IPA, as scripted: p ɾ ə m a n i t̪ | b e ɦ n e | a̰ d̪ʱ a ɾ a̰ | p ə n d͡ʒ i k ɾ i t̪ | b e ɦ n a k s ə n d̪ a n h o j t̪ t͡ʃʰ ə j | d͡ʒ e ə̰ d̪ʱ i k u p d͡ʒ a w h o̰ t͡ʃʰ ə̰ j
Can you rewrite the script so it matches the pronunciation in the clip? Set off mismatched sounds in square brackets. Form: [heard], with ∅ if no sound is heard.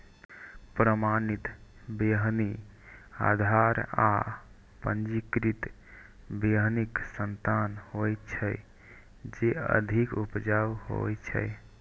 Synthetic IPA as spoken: p ɾ ə m a n i t̪ | b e ɦ n [i] | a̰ d̪ʱ a ɾ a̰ | p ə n d͡ʒ i k ɾ i t̪ | b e ɦ n [i] k s ə n [t̪] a n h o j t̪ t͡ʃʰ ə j | d͡ʒ e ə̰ d̪ʱ i k u p d͡ʒ a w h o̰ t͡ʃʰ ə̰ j